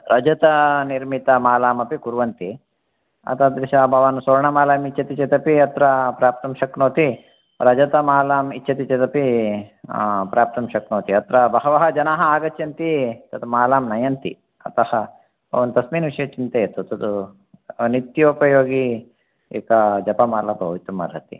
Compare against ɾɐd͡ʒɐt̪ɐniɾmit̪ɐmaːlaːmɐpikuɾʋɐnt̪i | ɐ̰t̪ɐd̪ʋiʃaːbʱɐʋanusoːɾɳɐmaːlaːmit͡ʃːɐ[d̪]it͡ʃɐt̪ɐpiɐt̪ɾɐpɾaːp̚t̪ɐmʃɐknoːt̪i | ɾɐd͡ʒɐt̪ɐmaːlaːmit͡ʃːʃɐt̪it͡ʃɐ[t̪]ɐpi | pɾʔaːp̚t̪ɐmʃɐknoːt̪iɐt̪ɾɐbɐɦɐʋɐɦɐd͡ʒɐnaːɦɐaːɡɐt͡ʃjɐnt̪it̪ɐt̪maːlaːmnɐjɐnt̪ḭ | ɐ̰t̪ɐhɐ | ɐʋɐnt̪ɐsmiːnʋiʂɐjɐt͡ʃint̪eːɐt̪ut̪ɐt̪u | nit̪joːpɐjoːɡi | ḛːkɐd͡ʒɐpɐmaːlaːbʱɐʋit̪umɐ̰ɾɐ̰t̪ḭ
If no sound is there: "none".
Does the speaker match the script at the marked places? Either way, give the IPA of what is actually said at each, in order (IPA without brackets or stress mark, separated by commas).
t̪, t̪